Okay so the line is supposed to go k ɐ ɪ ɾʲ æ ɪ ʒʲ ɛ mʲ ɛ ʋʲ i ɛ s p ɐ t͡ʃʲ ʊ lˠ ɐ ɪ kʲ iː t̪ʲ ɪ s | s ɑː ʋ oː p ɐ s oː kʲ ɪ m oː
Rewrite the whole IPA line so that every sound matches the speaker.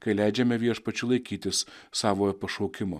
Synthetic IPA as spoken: k ɐ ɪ lʲ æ ɪ d͡ʒʲ ɛ mʲ ɛ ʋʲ i ɛ ʃ p ɐ t͡ʃʲ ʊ lˠ ɐ ɪ kʲ iː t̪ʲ ɪ s | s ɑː ʋ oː p ɐ ʃ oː kʲ ɪ m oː

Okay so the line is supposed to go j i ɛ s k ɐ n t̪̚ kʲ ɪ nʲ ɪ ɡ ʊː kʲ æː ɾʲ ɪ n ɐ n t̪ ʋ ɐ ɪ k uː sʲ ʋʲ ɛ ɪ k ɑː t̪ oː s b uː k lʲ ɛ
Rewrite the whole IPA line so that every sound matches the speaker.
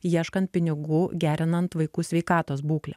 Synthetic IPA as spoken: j i ɛ ʃ k ɐ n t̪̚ pʲ ɪ nʲ ɪ ɡ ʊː ɡʲ æː ɾʲ ɪ n ɐ n t̪ ʋ ɐ ɪ k uː sʲ ʋʲ ɛ ɪ k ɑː t̪ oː s b uː k lʲ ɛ

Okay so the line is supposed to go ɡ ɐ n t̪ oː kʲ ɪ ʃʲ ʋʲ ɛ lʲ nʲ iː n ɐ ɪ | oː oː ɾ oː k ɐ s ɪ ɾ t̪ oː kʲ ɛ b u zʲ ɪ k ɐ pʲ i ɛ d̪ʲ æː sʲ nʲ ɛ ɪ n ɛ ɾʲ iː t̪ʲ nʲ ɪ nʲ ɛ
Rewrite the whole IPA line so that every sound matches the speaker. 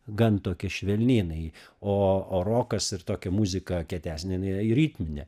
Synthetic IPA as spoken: ɡ ɐ n t̪ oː kʲ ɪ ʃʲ ʋʲ ɛ lʲ nʲ iː n ɐ ɪ | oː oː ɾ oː k ɐ s ɪ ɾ t̪ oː kʲ ɛ m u zʲ ɪ k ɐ kʲ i ɛ t̪ʲ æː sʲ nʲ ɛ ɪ n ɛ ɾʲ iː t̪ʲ mʲ ɪ nʲ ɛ

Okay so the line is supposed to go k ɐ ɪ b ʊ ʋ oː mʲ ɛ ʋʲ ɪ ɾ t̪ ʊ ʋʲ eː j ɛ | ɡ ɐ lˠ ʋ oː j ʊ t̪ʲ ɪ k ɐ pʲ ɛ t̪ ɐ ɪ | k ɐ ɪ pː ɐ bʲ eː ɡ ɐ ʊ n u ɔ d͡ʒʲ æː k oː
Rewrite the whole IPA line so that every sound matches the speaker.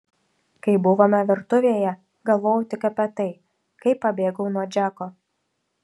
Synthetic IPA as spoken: k ɐ ɪ b ʊ ʋ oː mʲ ɛ ʋʲ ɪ ɾ t̪ ʊ ʋʲ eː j ɛ | ɡ ɐ lˠ ʋ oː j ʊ t̪ʲ ɪ k ɐ pʲ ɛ t̪ ɐ ɪ | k ɐ ɪ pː ɐ bʲ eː ɡ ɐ ʊ n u ɔ d͡ʒʲ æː k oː

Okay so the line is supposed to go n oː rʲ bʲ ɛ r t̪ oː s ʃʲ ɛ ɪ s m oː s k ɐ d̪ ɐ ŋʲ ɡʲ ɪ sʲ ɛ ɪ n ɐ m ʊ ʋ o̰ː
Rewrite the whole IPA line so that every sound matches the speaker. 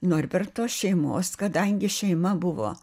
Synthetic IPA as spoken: n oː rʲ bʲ ɛ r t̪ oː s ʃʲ ɛ ɪ m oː s k ɐ d̪ ɐ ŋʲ ɡʲ ɪ ʃʲ ɛ ɪ m ɐ b ʊ ʋ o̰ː

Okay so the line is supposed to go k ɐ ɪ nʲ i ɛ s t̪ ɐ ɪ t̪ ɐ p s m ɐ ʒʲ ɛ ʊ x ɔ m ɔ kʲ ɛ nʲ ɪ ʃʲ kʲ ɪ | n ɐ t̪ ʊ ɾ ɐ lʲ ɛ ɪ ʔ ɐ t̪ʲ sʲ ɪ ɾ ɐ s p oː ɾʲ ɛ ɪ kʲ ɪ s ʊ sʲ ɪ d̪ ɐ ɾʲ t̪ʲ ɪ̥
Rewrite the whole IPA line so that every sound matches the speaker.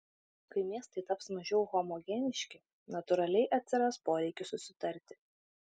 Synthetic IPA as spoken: k ɐ ɪ mʲ i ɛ s t̪ ɐ ɪ t̪ ɐ p s m ɐ ʒʲ ɛ ʊ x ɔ m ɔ ɡʲ ɛ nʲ ɪ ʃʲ kʲ ɪ | n ɐ t̪ ʊ ɾ ɐ lʲ ɛ ɪ ʔ ɐ t̪ʲ sʲ ɪ ɾ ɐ s p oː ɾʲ ɛ ɪ kʲ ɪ s ʊ sʲ ɪ t̪ ɐ ɾʲ t̪ʲ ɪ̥

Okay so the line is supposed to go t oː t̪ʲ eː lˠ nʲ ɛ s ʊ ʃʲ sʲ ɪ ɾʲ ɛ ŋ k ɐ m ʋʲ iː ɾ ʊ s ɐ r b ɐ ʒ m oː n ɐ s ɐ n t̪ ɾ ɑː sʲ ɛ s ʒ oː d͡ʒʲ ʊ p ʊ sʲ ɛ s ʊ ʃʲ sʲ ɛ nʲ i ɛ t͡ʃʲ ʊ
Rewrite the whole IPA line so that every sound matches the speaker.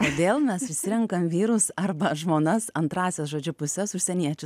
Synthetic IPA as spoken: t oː d̪ʲ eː lˠ mʲ ɛ s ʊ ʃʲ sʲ ɪ ɾʲ ɛ ŋ k ɐ m ʋʲ iː ɾ ʊ s ɐ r b ɐ ʒ m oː n ɐ s ɐ n t̪ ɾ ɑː sʲ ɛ s ʒ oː d͡ʒʲ ʊ p ʊ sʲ ɛ s ʊ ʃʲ sʲ ɛ nʲ i ɛ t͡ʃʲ ʊ

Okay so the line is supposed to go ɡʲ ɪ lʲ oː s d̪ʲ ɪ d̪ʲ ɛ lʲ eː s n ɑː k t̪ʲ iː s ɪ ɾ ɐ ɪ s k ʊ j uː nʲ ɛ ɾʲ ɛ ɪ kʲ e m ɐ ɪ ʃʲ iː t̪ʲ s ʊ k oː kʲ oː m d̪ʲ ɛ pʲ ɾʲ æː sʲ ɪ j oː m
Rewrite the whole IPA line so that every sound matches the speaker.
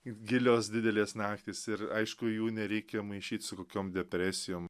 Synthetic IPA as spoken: ɡʲ ɪ lʲ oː s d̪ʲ ɪ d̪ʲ ɛ lʲ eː s n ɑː k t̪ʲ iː s ɪ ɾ ɐ ɪ ʃ k ʊ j uː nʲ ɛ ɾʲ ɛ ɪ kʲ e m ɐ ɪ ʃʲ iː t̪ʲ s ʊ k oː kʲ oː m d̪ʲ ɛ pʲ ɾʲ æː sʲ ɪ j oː m

